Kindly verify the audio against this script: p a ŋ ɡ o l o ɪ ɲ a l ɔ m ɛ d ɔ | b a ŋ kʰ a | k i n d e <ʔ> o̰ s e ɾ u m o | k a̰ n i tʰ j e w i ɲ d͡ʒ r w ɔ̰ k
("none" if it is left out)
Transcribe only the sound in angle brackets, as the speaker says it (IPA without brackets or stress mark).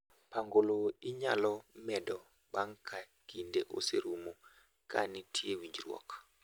ʔ